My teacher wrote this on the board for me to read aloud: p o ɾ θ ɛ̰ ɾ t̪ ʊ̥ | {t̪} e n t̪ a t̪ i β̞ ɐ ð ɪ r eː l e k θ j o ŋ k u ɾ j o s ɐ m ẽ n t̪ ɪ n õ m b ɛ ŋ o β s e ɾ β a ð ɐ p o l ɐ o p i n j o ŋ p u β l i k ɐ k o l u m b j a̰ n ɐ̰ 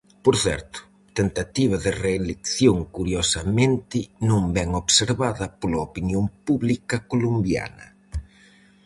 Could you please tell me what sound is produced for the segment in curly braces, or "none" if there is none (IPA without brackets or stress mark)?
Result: t̪